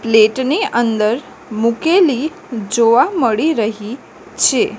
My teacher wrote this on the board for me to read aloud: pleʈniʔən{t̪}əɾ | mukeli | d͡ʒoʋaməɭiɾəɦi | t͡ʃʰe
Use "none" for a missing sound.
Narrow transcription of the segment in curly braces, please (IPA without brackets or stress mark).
d̪